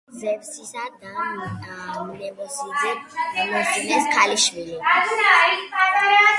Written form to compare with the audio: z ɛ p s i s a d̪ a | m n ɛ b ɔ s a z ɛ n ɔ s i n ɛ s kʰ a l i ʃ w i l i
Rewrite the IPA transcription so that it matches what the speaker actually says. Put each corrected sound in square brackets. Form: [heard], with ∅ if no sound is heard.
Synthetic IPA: z ɛ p s i s a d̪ a | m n ɛ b ɔ s [i] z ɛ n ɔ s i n ɛ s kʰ a l i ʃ w i l i